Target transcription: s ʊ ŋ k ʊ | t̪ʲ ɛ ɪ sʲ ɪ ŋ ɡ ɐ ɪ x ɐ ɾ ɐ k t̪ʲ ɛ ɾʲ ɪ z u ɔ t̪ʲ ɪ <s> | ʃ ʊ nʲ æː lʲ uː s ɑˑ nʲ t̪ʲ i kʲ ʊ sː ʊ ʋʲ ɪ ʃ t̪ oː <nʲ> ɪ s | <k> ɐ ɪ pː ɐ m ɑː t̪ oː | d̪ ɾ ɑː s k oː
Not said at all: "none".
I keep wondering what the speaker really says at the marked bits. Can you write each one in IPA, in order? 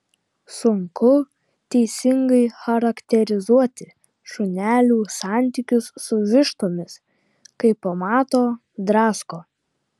none, mʲ, k

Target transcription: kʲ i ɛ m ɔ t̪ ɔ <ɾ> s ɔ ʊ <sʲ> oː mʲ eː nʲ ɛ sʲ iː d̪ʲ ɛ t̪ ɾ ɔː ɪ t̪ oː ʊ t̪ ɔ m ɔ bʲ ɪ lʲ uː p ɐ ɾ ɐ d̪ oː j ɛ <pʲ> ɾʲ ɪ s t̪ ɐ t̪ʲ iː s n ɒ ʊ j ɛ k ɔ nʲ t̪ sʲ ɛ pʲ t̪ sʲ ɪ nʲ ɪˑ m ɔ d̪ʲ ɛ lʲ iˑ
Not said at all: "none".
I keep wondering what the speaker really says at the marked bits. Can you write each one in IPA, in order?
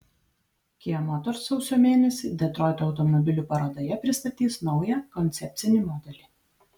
ɾ, sʲ, pʲ

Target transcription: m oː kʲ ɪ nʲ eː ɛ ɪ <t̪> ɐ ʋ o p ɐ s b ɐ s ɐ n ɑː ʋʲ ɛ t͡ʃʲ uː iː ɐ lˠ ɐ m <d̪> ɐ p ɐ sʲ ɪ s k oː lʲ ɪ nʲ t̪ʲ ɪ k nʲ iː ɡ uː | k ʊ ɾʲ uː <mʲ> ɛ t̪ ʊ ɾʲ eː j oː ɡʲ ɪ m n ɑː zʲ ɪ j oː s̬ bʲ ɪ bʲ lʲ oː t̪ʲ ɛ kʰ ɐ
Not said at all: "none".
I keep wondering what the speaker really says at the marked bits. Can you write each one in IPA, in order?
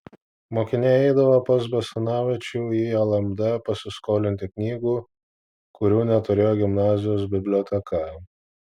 d̪, d̪, nʲ

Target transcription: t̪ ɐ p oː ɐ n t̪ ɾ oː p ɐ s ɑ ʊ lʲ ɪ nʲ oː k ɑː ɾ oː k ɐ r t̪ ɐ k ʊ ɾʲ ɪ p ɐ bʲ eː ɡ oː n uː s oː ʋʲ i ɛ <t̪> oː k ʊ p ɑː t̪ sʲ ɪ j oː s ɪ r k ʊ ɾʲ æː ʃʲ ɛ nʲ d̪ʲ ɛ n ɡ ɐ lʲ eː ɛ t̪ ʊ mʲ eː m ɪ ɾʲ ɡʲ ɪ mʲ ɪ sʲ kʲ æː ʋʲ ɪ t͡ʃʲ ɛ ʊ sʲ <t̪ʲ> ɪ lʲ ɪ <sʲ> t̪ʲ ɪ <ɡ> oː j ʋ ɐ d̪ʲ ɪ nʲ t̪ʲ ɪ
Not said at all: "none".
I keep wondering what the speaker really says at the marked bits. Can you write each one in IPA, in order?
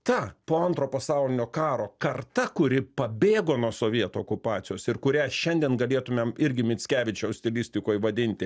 t̪, t̪ʲ, sʲ, k

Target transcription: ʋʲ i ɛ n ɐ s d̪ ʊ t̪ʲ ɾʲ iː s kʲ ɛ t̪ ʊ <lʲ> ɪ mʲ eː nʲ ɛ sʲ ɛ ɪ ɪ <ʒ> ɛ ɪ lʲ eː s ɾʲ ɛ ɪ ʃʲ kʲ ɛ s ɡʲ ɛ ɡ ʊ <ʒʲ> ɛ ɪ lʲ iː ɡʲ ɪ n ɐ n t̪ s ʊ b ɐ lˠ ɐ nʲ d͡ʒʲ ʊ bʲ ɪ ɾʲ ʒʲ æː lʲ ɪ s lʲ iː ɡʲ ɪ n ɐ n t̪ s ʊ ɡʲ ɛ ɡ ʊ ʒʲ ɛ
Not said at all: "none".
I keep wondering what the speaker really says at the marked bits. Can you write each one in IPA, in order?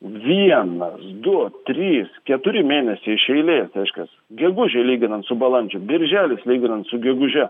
ɾʲ, ʃ, ʒʲ

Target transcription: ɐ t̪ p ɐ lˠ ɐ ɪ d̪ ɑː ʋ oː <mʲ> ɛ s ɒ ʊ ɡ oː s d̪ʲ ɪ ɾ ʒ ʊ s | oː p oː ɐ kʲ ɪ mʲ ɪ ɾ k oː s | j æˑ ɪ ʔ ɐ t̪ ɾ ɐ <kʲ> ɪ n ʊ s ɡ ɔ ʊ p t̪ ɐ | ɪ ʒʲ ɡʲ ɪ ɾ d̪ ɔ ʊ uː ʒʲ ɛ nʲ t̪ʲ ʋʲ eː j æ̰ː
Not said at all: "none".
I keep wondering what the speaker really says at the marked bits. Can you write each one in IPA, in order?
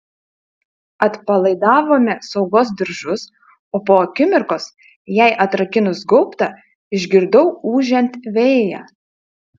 mʲ, kʲ

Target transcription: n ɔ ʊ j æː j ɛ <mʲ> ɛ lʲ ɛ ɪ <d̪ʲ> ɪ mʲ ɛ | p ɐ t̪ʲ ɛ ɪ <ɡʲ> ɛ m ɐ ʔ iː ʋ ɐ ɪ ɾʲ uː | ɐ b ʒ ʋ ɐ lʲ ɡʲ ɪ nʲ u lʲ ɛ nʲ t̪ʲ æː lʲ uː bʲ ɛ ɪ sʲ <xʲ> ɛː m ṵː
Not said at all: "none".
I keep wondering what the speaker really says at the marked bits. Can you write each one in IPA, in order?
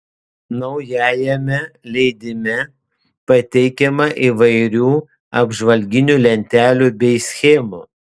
mʲ, d̪ʲ, kʲ, xʲ

